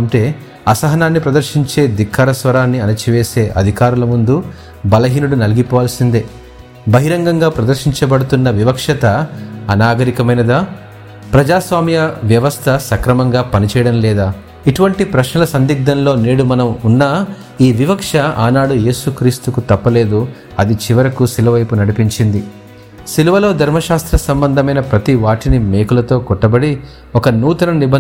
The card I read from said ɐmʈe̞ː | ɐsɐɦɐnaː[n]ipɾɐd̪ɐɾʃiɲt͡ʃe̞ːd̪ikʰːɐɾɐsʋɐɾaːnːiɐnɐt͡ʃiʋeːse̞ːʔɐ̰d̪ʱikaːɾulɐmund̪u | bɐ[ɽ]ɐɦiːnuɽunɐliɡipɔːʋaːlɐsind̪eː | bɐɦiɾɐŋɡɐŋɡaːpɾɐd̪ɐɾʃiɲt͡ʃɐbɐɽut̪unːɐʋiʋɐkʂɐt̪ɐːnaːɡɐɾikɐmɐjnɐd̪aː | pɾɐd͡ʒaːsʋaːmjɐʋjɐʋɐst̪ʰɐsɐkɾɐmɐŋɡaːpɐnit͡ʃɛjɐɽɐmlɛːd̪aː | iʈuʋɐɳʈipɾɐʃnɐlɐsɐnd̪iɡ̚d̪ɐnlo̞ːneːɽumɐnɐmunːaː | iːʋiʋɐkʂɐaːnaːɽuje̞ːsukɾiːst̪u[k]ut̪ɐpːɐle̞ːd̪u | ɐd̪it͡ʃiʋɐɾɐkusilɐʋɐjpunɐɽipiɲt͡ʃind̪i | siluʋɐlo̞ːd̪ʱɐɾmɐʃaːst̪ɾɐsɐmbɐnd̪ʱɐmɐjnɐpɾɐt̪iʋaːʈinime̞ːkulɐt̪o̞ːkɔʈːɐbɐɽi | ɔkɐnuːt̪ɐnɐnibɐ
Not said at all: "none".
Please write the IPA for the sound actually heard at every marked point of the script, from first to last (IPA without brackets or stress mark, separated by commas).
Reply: nː, l, k